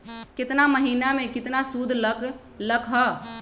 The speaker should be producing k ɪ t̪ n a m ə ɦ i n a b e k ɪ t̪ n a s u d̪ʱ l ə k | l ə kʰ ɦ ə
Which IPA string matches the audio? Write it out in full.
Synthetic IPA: k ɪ t̪ n a m ə ɦ i n a m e k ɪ t̪ n a s u d̪ʱ l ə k | l ə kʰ ɦ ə